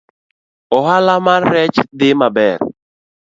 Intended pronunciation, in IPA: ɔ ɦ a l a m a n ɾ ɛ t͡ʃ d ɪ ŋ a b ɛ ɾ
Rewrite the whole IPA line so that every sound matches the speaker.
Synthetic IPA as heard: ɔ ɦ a l a m a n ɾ ɛ t͡ʃ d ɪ m a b ɛ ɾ